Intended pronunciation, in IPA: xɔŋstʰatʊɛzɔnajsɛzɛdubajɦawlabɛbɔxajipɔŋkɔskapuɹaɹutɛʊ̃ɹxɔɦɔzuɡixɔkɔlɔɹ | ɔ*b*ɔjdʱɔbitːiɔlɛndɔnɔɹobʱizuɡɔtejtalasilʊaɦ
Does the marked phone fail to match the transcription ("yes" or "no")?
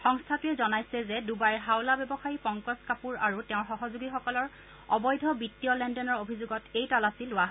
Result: no